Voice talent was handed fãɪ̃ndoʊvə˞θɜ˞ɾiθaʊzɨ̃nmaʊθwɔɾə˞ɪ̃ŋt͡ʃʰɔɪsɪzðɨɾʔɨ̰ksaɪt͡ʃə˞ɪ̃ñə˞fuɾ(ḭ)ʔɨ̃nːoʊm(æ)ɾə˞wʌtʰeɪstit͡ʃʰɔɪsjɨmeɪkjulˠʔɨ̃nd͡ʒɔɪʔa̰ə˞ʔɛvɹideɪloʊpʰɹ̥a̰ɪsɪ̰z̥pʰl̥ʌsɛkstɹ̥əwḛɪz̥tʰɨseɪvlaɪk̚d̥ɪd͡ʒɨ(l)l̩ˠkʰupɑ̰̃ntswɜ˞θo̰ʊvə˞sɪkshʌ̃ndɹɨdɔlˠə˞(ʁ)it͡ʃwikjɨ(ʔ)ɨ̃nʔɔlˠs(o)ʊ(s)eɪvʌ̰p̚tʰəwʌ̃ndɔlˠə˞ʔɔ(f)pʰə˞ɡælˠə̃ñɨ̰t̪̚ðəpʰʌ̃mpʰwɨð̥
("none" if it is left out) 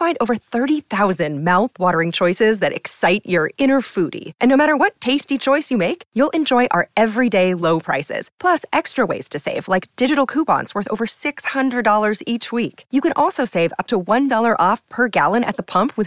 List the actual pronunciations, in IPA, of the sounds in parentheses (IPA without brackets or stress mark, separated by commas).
ḭ, æ, ɾ, z, k, o, s, f